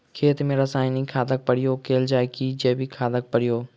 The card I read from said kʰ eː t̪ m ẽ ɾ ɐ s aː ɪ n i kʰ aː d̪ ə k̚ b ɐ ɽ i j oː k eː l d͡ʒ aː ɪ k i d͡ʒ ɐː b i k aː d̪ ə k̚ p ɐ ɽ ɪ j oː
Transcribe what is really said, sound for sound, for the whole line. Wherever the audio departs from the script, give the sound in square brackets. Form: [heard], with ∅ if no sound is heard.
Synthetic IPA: kʰ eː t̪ m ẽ ɾ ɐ s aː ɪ n i kʰ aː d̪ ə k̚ [p] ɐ ɽ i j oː k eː l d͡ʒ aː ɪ k i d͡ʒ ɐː b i [kʰ] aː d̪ ə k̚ p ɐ ɽ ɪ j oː